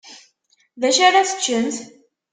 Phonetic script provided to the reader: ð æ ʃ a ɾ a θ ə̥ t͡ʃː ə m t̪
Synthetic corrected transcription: ð æ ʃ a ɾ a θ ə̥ t͡ʃː ə n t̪